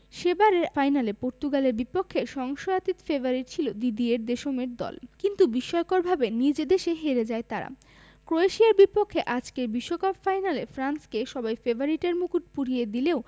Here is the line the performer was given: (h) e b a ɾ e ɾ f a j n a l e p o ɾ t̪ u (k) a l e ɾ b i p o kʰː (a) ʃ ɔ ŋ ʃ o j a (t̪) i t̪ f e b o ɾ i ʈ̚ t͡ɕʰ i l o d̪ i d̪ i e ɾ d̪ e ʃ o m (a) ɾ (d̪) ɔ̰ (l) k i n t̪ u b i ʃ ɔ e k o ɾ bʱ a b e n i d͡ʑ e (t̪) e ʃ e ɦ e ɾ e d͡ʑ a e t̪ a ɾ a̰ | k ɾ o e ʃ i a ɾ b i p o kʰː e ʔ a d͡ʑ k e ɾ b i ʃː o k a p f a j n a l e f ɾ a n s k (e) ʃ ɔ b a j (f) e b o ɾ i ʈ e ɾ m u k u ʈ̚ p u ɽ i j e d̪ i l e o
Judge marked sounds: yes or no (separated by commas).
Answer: no, no, no, yes, no, yes, yes, no, yes, yes